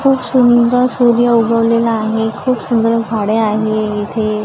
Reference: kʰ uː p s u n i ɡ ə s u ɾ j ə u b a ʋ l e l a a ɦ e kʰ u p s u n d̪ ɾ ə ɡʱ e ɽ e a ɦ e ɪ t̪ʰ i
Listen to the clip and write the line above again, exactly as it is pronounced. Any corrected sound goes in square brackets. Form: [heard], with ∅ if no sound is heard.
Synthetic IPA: kʰ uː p s u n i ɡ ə s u ɾ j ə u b [ə] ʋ l e l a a ɦ e kʰ [uː] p s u n d̪ ɾ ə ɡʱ [a] ɽ e a ɦ e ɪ t̪ʰ [e]

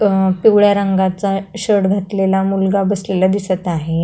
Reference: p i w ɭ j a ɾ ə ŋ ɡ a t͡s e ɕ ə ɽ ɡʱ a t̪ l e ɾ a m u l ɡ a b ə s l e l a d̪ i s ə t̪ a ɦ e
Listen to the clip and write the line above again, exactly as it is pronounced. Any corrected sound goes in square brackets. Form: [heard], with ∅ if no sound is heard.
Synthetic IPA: p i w ɭ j a ɾ ə ŋ ɡ a t͡s [a] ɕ ə ɽ ɡʱ a t̪ l e [l] a m u l ɡ a b ə s l e l a d̪ i s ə t̪ a ɦ e

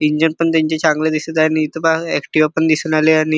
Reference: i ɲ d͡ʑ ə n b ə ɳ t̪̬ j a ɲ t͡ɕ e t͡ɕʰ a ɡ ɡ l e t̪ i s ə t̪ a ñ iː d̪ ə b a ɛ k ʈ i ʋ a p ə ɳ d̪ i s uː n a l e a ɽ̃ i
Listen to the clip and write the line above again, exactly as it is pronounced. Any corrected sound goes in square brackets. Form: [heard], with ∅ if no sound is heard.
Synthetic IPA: i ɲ d͡ʑ ə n [p] ə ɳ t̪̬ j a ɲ t͡ɕ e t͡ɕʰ a [ŋ] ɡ l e [d̪] i s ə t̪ a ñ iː [t̪] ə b a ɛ k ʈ i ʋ a p ə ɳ d̪ i s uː n a l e a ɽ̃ i

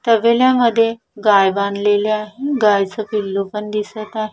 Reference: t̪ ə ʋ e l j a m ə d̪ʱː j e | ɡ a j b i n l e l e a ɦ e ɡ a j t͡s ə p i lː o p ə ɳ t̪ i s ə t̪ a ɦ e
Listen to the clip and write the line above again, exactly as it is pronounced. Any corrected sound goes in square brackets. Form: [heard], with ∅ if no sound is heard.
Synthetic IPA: t̪ ə ʋ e l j a m ə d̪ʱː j e | ɡ a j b [a] n l e l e a ɦ e ɡ a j t͡s ə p i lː o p ə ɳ [d̪] i s ə t̪ a ɦ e

